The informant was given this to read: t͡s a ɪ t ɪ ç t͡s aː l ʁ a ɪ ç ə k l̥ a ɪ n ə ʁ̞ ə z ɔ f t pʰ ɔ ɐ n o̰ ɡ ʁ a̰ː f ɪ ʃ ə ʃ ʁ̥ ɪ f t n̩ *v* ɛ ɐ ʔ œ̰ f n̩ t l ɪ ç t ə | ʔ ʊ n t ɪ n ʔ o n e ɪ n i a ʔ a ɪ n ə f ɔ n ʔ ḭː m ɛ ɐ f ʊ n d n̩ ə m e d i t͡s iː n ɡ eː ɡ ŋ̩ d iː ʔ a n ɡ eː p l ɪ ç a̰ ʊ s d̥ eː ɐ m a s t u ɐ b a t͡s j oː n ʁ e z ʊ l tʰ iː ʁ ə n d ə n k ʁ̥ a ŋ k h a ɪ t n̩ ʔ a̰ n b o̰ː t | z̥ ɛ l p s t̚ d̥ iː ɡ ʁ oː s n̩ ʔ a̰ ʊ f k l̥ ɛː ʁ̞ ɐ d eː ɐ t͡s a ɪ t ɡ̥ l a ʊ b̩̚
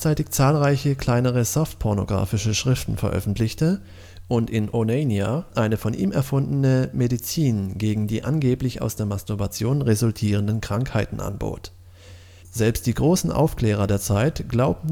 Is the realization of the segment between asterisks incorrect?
yes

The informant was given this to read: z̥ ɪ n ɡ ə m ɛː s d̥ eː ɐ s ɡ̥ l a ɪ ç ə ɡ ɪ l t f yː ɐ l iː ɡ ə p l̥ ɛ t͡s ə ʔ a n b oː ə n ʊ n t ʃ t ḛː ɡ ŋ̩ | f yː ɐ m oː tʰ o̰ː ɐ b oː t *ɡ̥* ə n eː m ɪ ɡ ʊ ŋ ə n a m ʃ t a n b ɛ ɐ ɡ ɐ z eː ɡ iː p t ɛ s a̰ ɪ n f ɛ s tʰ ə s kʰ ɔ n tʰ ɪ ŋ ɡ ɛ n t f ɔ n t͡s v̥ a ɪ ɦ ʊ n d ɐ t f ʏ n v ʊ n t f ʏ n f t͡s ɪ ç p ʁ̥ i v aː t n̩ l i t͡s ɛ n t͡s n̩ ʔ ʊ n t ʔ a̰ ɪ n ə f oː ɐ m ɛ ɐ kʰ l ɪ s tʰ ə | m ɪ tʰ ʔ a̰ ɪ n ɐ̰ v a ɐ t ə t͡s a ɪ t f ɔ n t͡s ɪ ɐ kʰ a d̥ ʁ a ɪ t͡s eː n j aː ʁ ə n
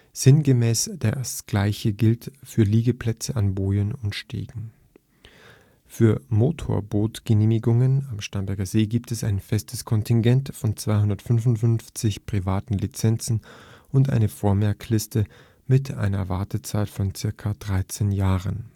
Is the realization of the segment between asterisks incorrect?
no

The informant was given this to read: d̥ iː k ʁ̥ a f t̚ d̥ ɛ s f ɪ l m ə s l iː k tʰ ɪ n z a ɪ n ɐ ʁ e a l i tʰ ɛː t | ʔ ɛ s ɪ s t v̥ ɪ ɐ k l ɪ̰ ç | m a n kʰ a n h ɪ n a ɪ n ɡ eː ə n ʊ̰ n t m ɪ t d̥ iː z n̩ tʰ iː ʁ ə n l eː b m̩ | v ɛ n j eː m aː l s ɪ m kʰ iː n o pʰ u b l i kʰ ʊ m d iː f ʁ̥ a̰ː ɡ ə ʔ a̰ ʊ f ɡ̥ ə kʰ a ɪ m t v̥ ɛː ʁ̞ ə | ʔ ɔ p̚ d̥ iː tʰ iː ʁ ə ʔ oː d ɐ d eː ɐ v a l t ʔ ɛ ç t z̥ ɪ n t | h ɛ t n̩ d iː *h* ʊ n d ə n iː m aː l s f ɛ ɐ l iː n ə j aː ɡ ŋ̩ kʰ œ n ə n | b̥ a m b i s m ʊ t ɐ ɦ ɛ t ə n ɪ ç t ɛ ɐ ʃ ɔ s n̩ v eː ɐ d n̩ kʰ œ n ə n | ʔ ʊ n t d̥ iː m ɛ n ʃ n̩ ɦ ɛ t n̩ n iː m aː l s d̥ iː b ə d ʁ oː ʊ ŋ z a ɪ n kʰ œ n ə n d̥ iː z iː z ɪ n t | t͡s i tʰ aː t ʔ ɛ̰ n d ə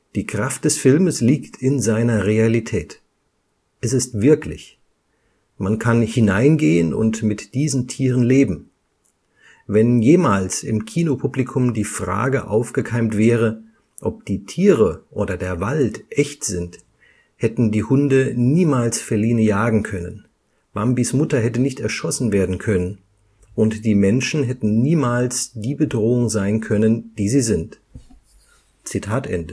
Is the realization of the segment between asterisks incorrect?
no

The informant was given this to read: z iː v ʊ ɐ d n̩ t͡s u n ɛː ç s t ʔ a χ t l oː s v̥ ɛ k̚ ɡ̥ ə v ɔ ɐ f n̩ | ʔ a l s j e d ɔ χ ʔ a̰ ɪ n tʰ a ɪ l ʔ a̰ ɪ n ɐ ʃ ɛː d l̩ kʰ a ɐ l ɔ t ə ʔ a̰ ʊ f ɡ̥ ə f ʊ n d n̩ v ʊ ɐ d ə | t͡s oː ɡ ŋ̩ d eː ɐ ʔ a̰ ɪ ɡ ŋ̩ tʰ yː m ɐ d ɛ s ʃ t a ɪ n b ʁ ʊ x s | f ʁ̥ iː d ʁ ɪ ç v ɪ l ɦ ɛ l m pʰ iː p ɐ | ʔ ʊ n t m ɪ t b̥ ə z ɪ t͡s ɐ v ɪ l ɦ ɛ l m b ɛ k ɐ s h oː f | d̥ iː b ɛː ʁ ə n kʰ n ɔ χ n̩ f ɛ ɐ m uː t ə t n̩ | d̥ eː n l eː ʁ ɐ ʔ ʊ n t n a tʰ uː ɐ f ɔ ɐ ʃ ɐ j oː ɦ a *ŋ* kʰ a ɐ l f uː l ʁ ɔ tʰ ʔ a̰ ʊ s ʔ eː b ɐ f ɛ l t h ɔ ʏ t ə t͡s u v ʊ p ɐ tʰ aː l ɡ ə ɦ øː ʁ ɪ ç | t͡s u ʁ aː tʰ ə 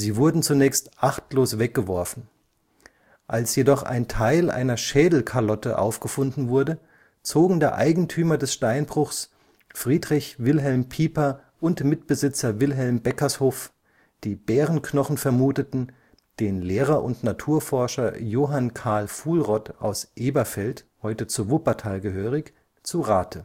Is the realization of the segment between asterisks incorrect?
yes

